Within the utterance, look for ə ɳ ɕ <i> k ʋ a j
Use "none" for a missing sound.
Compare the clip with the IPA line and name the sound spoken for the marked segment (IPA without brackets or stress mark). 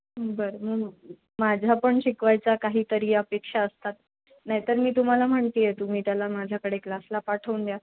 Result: i